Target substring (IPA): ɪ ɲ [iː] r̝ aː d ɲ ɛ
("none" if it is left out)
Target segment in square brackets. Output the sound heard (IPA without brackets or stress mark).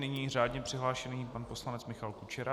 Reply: iː